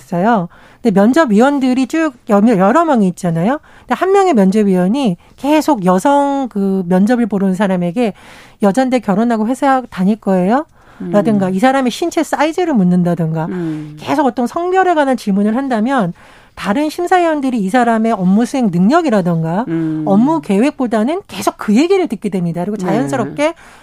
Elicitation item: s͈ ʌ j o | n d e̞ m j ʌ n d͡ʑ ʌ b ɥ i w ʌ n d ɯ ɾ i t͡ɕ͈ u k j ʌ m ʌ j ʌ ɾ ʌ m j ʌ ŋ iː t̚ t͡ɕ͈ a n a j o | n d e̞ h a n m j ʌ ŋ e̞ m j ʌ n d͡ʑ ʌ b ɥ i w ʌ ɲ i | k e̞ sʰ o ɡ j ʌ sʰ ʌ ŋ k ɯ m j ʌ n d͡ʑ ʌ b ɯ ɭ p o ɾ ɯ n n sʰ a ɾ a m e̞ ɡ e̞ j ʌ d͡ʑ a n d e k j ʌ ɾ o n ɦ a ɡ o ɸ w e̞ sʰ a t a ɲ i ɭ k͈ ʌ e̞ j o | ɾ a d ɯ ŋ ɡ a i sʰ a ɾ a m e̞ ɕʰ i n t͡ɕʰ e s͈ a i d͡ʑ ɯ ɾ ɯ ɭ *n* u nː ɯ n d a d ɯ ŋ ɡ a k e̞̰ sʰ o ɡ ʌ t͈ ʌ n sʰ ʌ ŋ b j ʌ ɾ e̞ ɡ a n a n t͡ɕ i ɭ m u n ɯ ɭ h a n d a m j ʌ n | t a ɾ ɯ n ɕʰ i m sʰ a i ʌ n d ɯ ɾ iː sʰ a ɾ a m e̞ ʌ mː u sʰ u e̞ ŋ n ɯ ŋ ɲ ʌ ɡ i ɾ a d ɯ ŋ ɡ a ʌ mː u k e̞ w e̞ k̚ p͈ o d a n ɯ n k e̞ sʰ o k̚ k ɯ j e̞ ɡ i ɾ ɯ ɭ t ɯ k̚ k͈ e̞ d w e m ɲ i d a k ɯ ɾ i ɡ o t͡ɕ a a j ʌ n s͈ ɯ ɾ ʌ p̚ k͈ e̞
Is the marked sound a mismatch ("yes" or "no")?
yes